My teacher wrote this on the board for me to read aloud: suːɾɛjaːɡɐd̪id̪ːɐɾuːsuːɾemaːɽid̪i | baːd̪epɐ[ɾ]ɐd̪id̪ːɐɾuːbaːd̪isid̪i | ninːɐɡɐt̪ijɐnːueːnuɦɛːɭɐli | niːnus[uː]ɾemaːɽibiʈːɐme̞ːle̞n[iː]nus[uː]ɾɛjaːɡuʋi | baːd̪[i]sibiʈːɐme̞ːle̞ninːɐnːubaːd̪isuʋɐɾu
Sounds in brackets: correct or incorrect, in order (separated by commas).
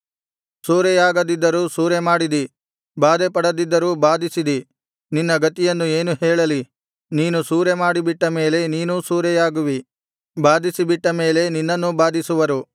incorrect, correct, correct, correct, correct